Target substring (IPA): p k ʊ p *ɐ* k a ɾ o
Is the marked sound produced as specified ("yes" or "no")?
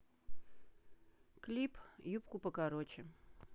no